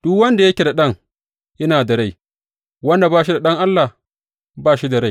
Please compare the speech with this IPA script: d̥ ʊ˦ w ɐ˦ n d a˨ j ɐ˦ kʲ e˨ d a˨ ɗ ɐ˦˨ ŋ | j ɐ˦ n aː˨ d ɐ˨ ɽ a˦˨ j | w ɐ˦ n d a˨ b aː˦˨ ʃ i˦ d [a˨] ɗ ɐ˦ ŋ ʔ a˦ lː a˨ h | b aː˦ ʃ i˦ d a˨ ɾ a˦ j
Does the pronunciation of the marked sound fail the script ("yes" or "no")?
no